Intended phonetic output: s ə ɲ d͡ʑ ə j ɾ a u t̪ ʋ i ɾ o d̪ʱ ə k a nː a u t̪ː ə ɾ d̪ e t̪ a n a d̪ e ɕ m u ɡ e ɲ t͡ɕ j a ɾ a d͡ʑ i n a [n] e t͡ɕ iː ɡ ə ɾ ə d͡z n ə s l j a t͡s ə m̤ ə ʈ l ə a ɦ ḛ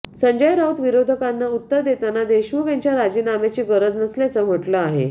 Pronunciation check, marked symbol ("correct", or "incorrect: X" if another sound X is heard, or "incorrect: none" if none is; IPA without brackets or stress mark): incorrect: m